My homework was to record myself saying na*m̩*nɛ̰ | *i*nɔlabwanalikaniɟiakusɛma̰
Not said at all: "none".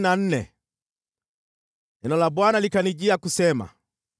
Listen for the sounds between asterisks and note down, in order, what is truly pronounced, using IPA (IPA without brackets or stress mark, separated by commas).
n̩, ɛ